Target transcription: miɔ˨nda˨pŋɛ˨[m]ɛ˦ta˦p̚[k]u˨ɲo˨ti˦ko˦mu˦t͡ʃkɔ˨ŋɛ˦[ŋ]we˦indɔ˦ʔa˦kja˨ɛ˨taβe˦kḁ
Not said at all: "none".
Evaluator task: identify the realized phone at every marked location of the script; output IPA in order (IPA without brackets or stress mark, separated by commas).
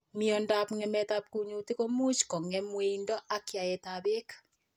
m, k, m